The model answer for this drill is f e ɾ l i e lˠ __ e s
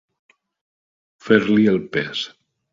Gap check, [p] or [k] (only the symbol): p